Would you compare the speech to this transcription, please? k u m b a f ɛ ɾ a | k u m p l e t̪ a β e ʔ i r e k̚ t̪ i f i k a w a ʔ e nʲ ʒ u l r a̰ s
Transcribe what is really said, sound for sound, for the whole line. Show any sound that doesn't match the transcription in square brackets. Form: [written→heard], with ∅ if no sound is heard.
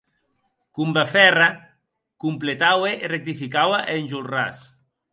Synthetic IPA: k u m b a f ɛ [ɾ→r] a | k u m p l e t̪ a [β→w] e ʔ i r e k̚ t̪ i f i k a w a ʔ e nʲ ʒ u l r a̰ s